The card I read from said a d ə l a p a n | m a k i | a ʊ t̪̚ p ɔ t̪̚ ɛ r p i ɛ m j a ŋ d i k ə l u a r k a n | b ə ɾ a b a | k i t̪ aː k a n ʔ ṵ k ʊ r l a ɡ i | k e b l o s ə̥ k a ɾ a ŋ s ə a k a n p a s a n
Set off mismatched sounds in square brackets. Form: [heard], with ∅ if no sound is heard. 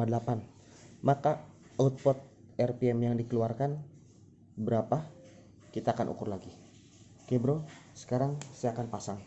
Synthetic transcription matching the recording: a d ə l a p a n | m a k [a] | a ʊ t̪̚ p ɔ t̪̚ ɛ r p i ɛ m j a ŋ d i k ə l u a r k a n | b ə ɾ a [p] a | k i t̪ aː k a n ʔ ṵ k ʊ r l a ɡ i | k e b [ɾ] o s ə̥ k a ɾ a ŋ s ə a k a n p a s a [ŋ]